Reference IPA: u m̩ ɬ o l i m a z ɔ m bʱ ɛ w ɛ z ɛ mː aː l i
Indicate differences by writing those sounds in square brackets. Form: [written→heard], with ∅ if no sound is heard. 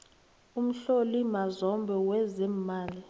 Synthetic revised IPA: u m̩ ɬ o l i m a z ɔ m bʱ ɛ w ɛ z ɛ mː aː l i